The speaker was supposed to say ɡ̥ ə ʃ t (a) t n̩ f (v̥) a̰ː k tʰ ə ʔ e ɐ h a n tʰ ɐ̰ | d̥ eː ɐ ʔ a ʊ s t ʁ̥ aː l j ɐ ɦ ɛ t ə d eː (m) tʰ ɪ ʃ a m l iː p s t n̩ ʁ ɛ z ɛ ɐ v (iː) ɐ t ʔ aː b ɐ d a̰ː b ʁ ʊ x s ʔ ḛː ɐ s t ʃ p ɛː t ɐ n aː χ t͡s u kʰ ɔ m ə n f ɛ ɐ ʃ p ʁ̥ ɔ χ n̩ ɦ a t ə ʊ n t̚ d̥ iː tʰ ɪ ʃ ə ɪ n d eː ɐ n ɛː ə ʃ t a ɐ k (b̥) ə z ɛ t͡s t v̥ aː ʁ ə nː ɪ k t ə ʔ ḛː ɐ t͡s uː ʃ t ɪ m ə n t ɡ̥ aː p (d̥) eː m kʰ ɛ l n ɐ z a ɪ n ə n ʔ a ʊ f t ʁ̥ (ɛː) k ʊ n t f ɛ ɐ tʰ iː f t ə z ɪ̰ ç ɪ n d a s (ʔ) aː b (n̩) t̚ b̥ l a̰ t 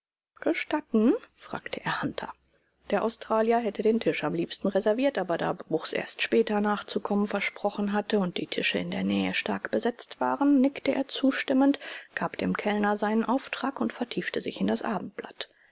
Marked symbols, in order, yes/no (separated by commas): yes, no, no, yes, yes, yes, no, yes, no